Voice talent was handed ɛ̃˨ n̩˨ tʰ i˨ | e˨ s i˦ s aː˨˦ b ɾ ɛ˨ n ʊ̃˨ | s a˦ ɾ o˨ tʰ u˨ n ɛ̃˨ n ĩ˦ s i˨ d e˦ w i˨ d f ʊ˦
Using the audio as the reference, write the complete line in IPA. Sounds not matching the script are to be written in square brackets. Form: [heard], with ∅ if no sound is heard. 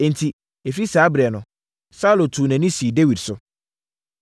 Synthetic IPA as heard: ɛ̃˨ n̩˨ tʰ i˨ | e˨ [f] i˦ s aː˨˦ b ɾ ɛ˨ n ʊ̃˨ | s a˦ [l] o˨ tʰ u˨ n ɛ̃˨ n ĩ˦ s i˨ d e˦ w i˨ d [s] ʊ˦

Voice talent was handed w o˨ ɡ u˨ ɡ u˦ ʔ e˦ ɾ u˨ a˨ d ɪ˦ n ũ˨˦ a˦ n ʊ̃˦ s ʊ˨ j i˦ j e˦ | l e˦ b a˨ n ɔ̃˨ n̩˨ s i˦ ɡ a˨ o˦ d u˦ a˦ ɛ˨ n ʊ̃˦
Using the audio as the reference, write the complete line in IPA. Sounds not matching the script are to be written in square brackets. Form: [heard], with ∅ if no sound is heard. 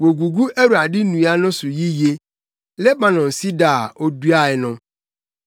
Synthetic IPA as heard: w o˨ ɡ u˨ ɡ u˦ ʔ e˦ ɾ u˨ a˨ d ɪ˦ n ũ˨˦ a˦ n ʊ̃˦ s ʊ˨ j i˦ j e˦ | l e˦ b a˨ n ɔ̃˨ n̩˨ s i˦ [d] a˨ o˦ d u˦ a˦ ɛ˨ n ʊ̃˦

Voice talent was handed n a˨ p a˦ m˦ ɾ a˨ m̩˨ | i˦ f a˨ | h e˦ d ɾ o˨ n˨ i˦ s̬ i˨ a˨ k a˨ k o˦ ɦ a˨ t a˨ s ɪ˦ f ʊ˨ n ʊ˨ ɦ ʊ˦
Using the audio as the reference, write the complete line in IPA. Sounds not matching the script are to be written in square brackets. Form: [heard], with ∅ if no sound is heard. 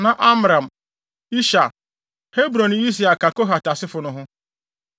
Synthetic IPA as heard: n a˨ [ʔ] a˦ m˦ ɾ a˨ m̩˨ | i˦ [ʃ] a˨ | h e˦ [b] ɾ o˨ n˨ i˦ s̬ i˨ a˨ k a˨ k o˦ ɦ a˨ t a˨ s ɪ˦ f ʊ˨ n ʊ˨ ɦ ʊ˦

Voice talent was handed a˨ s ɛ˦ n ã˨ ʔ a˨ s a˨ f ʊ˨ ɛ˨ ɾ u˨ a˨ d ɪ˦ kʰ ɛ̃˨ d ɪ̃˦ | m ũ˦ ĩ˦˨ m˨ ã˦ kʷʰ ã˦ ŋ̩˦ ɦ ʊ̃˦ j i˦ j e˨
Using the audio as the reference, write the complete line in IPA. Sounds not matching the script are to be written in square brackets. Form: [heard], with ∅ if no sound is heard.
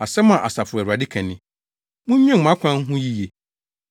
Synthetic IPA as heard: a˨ s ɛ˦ [m] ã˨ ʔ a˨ s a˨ f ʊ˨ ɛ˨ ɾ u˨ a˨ d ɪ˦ kʰ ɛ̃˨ [n] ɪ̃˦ | m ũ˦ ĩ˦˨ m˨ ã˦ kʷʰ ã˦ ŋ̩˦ ɦ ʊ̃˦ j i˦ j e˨

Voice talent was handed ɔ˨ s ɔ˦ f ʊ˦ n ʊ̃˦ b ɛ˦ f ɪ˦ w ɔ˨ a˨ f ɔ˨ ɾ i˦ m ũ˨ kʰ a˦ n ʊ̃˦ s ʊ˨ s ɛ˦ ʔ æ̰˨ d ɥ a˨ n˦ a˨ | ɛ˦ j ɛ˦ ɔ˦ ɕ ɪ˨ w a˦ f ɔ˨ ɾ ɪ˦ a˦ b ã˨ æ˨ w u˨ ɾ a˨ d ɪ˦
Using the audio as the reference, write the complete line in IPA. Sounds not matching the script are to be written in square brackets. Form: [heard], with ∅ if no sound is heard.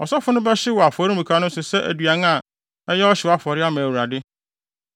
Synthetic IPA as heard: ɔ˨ s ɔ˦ f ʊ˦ n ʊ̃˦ b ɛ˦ [ɕ] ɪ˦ w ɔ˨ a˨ f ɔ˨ ɾ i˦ m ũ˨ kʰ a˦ n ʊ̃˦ s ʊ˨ s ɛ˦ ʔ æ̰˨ d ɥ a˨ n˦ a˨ | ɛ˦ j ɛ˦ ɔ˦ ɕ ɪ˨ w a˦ f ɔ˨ ɾ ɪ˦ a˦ [m] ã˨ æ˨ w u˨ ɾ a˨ d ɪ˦

